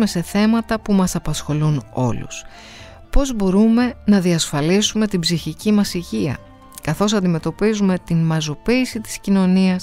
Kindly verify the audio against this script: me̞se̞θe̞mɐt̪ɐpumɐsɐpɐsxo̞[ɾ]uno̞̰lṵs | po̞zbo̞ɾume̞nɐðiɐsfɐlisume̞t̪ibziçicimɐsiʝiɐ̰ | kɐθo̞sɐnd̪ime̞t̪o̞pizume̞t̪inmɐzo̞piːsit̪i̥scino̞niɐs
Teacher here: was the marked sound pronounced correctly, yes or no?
no